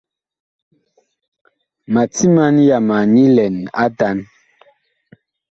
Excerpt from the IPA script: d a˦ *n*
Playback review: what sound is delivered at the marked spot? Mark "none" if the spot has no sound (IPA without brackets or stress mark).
n